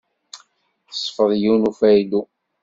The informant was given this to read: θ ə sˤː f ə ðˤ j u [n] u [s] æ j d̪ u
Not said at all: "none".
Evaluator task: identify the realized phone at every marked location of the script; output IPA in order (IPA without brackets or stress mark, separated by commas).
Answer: n, f